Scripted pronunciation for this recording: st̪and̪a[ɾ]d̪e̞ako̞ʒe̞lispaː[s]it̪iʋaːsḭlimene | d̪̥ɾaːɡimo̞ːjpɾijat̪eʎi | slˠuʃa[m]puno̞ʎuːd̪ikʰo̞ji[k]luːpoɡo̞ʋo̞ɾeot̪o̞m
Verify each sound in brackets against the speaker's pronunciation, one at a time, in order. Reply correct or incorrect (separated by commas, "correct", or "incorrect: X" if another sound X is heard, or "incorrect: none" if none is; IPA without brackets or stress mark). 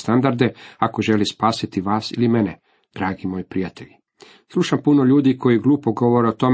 correct, correct, correct, incorrect: ɡ